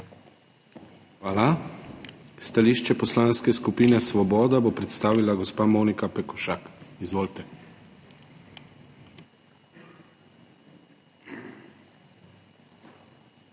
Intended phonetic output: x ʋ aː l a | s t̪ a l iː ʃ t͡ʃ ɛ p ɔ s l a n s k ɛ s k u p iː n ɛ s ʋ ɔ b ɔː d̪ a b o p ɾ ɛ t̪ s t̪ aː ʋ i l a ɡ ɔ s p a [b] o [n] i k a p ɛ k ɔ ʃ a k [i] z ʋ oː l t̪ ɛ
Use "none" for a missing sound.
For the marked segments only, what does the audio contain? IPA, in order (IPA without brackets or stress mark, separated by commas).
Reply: m, n, i